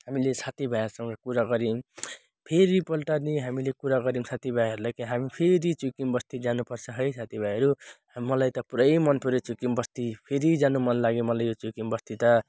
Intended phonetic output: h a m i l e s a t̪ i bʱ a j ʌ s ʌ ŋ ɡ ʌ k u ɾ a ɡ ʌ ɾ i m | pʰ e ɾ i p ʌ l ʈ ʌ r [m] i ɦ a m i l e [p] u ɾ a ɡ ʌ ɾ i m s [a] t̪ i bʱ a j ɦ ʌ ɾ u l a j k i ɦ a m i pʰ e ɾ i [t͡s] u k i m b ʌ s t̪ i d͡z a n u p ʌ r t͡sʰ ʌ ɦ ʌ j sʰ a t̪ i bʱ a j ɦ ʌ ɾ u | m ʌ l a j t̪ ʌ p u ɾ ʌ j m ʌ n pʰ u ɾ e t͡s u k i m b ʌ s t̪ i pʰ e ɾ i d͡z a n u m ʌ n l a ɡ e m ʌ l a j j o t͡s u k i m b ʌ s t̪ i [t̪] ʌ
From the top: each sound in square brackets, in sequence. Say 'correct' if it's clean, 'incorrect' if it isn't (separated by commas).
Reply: incorrect, incorrect, correct, correct, correct